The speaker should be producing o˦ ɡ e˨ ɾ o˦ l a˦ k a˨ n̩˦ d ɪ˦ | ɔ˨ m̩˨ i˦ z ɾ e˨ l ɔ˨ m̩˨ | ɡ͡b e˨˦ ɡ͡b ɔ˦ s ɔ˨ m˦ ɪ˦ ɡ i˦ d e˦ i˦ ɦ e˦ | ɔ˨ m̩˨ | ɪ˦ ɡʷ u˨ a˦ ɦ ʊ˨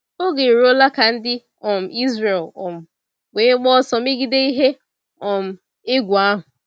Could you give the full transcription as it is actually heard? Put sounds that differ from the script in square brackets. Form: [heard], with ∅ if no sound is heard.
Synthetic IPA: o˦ ɡ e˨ ɾ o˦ l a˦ k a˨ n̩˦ d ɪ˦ | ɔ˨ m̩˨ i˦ z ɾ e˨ l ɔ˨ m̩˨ | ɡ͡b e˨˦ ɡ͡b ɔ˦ s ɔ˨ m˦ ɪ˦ ɡ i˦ d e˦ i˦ ɦ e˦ | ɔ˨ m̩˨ | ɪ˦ ɡʷ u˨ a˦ ɦ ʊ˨